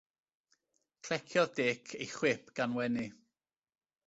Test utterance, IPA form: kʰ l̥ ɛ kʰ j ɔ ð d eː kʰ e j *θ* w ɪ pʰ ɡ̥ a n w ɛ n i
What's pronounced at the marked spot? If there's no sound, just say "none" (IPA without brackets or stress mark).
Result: χ